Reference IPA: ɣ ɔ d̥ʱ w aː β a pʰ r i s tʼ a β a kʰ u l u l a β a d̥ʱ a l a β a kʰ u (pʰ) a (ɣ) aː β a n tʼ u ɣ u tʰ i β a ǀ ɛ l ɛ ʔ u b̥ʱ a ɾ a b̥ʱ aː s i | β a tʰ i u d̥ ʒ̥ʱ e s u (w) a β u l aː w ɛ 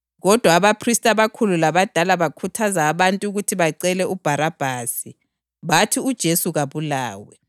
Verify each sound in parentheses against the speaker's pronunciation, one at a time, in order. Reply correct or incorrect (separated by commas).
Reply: incorrect, incorrect, incorrect